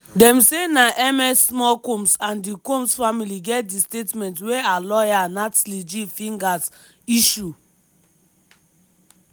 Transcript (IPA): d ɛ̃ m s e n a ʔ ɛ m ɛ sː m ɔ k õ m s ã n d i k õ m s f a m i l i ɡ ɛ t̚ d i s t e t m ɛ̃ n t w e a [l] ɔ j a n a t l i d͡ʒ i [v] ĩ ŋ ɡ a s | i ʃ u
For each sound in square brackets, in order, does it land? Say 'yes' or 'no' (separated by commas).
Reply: yes, no